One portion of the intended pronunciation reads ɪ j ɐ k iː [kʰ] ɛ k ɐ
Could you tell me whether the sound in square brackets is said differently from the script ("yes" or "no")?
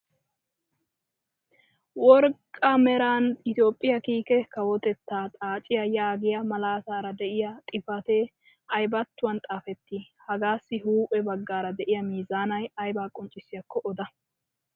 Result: yes